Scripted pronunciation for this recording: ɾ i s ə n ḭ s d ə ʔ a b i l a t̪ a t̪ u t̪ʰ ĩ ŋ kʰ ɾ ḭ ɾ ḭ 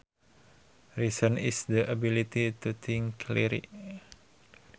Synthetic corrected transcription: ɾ i s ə n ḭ s d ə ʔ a b i l i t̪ i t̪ u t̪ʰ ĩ ŋ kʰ l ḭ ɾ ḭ

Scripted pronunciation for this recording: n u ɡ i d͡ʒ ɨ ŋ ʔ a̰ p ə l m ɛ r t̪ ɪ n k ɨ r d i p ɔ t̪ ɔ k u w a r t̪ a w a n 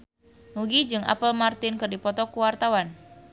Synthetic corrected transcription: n u ɡ i d͡ʒ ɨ ŋ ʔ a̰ p ə l m a r t̪ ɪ n k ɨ r d i p ɔ t̪ ɔ k u w a r t̪ a w a n

